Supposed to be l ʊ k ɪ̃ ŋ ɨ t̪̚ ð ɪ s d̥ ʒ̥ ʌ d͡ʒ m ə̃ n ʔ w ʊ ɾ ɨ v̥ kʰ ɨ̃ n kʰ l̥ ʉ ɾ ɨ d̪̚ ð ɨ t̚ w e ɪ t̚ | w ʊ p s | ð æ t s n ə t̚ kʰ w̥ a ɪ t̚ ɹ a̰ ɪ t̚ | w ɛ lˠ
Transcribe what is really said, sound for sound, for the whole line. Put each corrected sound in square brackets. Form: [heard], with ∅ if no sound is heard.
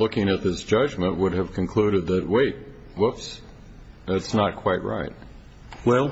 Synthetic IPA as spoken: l ʊ k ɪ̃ ŋ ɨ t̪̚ ð ɪ s d̥ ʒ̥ ʌ d͡ʒ m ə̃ n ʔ w ʊ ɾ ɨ v̥ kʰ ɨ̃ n kʰ l̥ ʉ ɾ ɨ d̪̚ ð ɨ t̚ w e ɪ t̚ | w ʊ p s | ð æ t s n ə t̚ kʰ w̥ a ɪ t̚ ɹ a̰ ɪ t̚ | w ɛ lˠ